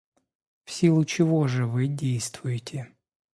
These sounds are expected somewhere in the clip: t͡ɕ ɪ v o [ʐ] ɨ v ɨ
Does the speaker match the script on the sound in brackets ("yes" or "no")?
yes